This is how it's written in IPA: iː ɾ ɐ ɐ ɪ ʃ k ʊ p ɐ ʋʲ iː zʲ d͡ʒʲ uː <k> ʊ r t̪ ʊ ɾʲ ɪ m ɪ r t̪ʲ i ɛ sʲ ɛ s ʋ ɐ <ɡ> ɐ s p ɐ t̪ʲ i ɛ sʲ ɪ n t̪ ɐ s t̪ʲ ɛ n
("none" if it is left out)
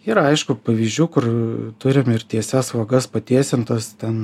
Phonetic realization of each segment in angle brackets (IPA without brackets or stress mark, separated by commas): k, ɡ